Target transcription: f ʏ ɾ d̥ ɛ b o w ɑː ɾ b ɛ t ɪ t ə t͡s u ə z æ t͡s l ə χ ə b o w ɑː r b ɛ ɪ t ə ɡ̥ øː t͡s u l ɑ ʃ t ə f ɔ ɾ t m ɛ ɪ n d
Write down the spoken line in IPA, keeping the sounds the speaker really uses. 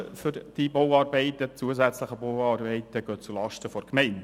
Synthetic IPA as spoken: f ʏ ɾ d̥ i b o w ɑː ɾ b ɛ ɪ t ə t͡s u ə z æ t͡s l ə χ ə b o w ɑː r b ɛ ɪ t ə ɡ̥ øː t͡s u l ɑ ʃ t ə f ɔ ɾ k m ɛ ɪ n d